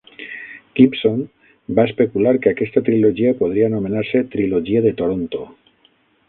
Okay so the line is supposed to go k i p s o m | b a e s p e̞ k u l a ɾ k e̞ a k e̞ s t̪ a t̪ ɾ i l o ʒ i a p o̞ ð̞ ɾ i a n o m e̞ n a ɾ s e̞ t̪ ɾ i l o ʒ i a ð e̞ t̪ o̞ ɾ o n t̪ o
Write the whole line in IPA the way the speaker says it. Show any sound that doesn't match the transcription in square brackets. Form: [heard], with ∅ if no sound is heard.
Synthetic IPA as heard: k i p s o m | b a e s p e̞ k u l a ɾ k e̞ a k e̞ s t̪ a t̪ ɾ i l o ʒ i a p o̞ ð̞ ɾ i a n o m e̞ n a ɾ s e̞ t̪ ɾ i l o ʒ i a ð e̞ t̪ o̞ ɾ o n t̪ o